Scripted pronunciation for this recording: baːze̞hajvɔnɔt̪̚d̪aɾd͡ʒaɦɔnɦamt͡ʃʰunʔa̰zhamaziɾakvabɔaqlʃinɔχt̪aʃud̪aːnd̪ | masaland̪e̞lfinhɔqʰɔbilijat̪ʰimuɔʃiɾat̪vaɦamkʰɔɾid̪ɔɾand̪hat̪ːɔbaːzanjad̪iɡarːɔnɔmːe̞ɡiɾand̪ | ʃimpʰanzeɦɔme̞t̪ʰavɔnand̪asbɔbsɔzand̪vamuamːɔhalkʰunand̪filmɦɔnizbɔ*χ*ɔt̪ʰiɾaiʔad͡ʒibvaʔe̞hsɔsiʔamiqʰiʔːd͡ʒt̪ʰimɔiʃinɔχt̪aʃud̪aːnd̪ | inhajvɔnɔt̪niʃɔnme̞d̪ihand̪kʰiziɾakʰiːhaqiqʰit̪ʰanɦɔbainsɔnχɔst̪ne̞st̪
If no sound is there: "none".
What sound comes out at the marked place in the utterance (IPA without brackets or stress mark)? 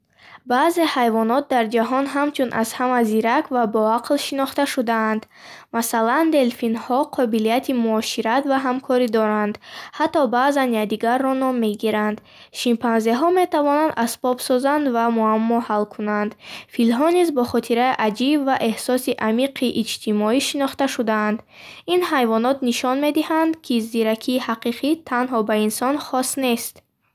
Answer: χ